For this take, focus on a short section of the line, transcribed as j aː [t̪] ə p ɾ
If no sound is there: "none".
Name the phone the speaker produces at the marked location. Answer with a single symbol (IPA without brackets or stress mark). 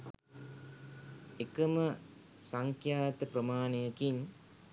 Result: t̪